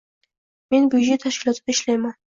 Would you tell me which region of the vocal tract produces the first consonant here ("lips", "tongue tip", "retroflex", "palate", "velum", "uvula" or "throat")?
lips